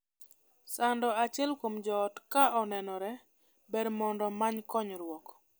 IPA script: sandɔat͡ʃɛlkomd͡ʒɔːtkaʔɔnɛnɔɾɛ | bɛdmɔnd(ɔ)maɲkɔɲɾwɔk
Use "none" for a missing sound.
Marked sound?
ɔ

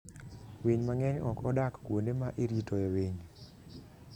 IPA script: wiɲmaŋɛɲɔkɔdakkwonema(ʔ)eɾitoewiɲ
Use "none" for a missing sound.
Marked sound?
ʔ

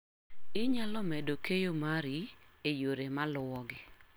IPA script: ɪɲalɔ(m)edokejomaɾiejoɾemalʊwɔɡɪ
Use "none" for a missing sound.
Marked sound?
m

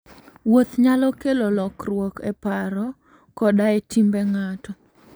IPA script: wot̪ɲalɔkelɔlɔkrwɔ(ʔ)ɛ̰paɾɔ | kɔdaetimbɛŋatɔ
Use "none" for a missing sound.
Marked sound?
k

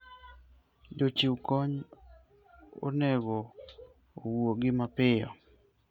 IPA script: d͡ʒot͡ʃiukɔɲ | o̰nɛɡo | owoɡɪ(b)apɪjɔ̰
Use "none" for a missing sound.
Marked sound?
m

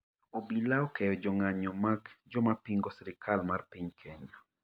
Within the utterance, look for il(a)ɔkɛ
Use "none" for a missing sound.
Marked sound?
a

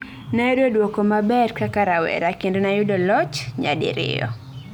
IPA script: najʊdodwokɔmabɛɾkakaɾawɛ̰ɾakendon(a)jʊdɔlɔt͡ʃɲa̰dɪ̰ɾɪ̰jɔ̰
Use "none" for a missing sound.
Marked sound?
a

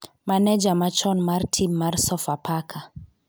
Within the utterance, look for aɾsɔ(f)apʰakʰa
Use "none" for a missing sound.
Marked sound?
f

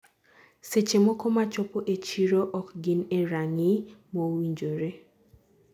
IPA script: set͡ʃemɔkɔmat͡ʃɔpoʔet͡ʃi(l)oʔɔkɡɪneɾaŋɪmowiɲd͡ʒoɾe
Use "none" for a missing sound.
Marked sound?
ɾ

